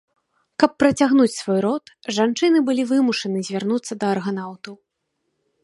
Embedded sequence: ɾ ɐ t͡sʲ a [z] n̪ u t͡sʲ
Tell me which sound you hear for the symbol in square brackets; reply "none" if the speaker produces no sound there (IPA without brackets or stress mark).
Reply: ɣ